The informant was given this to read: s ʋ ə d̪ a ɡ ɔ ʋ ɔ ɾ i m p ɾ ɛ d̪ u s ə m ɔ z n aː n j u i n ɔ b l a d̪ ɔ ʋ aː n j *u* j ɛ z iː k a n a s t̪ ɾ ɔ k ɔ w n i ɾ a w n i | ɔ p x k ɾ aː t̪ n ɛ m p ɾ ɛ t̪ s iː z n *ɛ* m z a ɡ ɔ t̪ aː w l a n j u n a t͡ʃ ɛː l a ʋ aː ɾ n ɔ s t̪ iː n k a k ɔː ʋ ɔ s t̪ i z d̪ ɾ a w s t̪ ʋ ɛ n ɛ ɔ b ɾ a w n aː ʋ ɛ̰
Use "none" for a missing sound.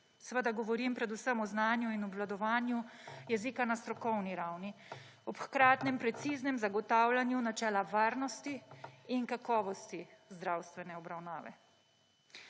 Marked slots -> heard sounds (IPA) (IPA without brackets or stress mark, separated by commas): u, ɛ